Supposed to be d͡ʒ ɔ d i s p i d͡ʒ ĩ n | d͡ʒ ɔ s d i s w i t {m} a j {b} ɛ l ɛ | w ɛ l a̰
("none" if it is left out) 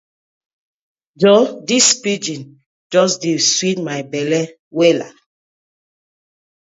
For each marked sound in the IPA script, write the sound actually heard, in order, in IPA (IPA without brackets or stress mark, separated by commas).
m, b